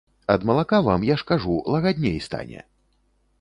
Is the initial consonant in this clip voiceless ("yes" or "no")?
no